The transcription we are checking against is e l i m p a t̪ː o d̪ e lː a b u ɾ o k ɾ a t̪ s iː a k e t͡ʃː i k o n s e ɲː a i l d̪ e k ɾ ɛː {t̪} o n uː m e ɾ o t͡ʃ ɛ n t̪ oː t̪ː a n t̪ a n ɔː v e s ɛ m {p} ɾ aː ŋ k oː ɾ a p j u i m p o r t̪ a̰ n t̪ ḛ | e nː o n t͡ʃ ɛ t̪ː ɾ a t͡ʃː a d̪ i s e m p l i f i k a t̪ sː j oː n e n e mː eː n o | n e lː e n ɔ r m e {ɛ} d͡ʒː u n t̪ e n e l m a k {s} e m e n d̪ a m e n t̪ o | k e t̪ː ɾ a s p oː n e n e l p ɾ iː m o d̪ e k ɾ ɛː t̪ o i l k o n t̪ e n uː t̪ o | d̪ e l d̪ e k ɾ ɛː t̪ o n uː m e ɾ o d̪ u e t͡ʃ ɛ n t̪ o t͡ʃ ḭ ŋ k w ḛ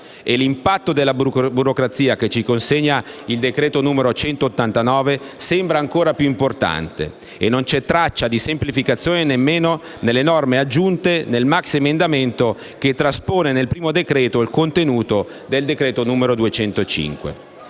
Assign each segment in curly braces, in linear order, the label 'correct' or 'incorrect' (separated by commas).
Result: correct, incorrect, incorrect, correct